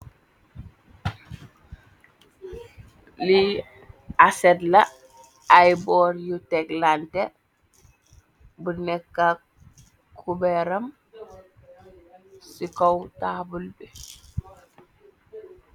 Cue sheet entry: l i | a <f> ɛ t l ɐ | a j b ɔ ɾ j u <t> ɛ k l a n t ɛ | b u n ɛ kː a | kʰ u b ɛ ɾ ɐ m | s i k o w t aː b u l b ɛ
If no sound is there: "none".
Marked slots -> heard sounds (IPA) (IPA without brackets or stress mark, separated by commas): s, t